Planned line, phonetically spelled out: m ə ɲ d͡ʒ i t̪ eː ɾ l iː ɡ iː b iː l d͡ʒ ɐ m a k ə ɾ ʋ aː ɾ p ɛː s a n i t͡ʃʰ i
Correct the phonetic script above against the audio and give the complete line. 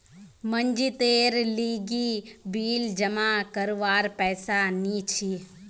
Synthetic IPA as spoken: m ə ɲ d͡ʒ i t̪ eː ɾ l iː ɡ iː b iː l d͡ʒ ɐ m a k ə ɾ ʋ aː ɾ p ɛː s a n i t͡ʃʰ i